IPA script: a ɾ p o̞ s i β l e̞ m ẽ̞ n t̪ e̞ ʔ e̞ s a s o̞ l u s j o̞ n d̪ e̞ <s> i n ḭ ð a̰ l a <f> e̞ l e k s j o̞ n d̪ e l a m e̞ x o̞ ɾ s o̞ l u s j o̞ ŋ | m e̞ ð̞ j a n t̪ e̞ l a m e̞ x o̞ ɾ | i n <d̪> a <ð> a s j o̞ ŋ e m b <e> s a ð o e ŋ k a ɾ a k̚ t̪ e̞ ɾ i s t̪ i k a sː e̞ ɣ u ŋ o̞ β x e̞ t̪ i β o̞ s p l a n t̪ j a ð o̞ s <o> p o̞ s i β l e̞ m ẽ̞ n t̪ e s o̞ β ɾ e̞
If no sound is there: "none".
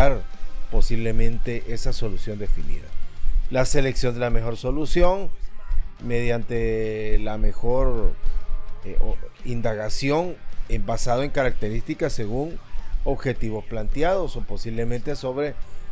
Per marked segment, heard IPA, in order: f, s, d̪, ɣ, a, o

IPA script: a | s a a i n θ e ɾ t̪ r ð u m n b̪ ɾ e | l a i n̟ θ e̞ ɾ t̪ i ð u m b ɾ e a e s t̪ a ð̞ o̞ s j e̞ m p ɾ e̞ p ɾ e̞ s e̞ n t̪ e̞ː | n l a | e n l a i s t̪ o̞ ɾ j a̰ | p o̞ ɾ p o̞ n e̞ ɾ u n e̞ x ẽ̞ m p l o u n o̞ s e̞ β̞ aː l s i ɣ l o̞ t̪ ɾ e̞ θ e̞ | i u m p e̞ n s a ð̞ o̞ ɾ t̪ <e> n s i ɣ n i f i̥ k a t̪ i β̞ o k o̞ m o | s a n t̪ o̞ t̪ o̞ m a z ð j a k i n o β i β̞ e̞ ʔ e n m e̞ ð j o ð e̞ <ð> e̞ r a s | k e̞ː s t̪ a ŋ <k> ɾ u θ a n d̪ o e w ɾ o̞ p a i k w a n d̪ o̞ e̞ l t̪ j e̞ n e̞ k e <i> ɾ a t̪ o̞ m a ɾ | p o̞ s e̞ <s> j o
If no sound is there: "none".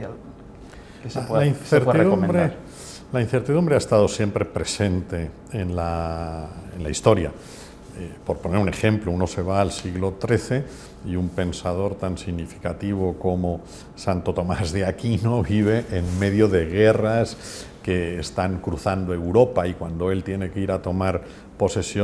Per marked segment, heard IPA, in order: a, ɣ, k, i, s

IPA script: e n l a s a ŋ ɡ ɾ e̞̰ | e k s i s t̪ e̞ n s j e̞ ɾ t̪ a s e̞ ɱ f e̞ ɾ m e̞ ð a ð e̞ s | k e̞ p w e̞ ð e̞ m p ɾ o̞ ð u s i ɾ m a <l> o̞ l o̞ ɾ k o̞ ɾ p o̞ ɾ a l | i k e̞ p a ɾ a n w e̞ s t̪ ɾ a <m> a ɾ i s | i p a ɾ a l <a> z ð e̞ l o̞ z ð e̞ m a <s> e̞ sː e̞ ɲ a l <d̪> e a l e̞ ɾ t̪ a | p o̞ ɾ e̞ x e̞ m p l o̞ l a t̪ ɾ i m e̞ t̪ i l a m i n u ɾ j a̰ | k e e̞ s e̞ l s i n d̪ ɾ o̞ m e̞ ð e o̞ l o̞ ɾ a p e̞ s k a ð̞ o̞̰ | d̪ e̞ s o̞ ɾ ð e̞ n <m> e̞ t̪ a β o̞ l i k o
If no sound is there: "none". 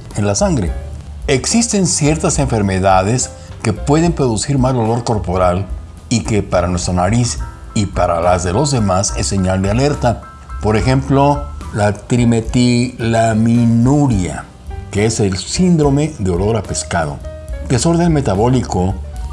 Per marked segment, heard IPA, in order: l, n, a, s, d̪, m

